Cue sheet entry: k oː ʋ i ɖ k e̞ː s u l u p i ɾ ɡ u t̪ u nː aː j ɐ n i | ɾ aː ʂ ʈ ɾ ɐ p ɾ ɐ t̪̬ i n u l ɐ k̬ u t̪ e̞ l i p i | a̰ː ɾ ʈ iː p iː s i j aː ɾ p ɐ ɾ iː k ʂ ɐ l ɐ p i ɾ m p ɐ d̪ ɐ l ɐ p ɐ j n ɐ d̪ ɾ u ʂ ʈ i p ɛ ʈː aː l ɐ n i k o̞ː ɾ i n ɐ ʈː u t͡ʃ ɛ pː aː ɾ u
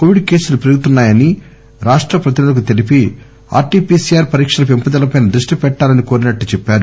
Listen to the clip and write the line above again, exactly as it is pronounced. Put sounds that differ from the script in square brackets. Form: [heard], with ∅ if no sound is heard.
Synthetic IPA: k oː ʋ i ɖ k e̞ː s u l u p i ɾ ɡ u t̪ u nː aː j ɐ n i | ɾ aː ʂ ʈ ɾ ɐ p ɾ ɐ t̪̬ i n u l ɐ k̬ u t̪ e̞ l i p i | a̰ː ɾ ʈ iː p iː s i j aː ɾ p ɐ ɾ iː k ʂ ɐ l ɐ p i [∅] m p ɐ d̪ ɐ l ɐ p ɐ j n ɐ d̪ ɾ u ʂ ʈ i p ɛ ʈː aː l ɐ n i k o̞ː ɾ i n ɐ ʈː u t͡ʃ ɛ pː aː ɾ u

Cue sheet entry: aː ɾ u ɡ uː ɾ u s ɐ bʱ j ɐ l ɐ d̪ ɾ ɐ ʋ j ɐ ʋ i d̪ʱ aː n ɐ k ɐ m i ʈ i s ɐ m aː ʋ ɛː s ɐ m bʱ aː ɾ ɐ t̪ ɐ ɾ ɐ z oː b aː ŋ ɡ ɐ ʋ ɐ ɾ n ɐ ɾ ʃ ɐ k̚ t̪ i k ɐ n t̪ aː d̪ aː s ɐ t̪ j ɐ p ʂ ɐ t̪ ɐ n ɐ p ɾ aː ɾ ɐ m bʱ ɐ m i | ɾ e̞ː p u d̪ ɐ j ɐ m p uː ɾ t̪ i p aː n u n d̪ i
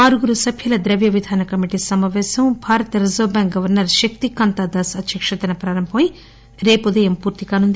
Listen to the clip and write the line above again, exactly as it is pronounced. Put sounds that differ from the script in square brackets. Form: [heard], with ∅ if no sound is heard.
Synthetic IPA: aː ɾ u ɡ [u] ɾ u s ɐ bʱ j ɐ l ɐ d̪ ɾ ɐ ʋ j ɐ ʋ i d̪ʱ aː n ɐ k ɐ m i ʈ i s ɐ m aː ʋ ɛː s ɐ m bʱ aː ɾ ɐ t̪ ɐ ɾ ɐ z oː b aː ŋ ɡ ɐ ʋ ɐ ɾ n ɐ ɾ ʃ ɐ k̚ t̪ i k ɐ n t̪ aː d̪ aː s ɐ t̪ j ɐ [k] ʂ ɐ t̪ ɐ n ɐ p ɾ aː ɾ ɐ m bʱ ɐ m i | ɾ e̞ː p u d̪ ɐ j ɐ m p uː ɾ t̪ i [k] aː n u n d̪ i

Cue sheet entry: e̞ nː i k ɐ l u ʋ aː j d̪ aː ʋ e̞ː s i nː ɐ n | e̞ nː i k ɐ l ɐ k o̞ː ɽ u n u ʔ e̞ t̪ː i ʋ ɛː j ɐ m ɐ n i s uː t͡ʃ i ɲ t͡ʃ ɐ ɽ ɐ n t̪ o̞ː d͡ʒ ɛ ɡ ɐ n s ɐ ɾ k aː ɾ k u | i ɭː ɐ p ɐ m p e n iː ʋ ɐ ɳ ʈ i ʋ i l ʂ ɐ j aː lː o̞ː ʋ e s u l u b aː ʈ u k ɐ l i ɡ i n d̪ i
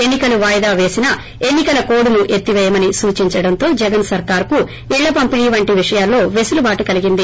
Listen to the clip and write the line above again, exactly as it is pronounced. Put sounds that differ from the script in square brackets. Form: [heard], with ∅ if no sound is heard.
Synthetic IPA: e̞ nː i k ɐ l u ʋ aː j d̪ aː ʋ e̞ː s i [n] ɐ [∅] | e̞ nː i k ɐ l ɐ k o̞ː ɽ u n u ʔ e̞ t̪ː i ʋ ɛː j ɐ m ɐ n i s uː t͡ʃ i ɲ t͡ʃ ɐ ɽ ɐ n t̪ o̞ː d͡ʒ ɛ ɡ ɐ n s ɐ ɾ k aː ɾ k u | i ɭː ɐ p ɐ m p [i] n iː ʋ ɐ ɳ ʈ i ʋ i [∅] ʂ ɐ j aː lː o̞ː ʋ e s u l u b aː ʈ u k ɐ l i ɡ i n d̪ i

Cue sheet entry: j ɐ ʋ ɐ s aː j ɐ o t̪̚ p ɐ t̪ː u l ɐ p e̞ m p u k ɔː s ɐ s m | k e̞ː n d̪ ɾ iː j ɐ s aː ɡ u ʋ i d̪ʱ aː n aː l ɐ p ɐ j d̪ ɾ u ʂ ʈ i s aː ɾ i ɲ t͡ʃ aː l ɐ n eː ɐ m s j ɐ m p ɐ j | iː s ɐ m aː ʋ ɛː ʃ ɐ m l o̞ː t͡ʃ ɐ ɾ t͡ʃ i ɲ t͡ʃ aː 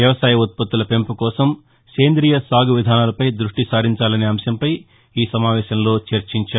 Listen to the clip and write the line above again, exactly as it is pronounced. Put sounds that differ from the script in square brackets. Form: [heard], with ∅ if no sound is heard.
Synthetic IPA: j ɐ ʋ ɐ s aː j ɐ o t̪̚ p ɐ t̪ː u l ɐ p e̞ m p u k ɔː s ɐ [∅] m | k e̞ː n d̪ ɾ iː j ɐ s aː ɡ u ʋ i d̪ʱ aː n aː l ɐ p ɐ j d̪ ɾ u ʂ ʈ i s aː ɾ i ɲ t͡ʃ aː l ɐ n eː ɐ m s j ɐ m p ɐ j | iː s ɐ m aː ʋ ɛː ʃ ɐ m l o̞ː t͡ʃ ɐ ɾ t͡ʃ i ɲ t͡ʃ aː

